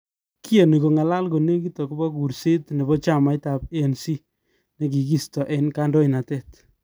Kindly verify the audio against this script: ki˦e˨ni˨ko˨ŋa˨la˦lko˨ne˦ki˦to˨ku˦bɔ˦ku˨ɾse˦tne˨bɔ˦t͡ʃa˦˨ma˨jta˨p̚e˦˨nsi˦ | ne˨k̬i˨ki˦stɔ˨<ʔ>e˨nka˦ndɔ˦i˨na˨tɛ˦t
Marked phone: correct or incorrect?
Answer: correct